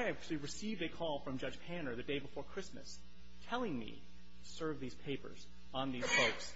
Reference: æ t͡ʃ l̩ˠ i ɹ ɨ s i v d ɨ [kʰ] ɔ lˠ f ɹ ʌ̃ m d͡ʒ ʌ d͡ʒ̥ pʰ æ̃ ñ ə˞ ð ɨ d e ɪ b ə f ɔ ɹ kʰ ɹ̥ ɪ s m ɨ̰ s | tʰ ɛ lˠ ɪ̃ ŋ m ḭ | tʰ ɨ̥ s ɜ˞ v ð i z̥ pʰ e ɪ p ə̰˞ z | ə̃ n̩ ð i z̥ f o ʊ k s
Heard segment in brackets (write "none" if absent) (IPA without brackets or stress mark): kʰ